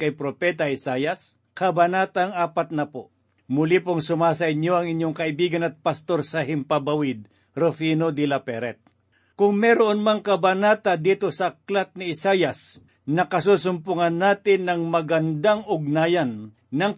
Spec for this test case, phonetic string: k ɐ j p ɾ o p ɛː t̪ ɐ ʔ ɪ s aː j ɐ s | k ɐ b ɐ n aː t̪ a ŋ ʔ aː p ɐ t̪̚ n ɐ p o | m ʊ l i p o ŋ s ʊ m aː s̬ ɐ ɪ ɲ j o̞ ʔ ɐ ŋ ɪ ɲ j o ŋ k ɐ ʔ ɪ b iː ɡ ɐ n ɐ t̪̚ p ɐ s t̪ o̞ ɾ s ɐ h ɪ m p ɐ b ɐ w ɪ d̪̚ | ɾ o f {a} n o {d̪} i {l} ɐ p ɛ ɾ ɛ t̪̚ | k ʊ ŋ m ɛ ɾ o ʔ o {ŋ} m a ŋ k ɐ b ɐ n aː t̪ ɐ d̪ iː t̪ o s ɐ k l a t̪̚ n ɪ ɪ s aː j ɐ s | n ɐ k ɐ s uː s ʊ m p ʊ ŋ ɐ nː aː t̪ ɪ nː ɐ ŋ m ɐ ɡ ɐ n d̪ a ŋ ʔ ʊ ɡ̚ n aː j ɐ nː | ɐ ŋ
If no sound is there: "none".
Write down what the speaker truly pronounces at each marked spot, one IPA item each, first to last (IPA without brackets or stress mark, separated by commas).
i, d̪, l, n